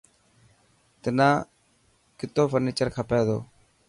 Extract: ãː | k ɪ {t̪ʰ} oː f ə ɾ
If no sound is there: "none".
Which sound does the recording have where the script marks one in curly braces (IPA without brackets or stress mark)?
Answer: t̪